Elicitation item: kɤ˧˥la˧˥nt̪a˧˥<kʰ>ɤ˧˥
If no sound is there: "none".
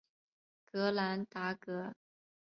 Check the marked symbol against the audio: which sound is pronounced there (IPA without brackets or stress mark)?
k